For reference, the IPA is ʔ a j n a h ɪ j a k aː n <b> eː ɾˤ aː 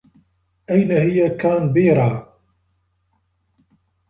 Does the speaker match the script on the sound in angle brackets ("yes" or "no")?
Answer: yes